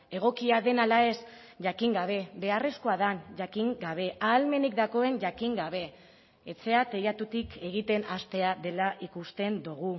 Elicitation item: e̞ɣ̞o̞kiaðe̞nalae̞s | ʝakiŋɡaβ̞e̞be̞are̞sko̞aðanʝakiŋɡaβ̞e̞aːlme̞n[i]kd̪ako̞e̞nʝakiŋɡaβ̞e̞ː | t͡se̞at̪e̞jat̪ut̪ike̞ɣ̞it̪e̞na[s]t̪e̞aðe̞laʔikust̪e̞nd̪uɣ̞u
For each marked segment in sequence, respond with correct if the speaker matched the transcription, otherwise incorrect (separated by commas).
correct, correct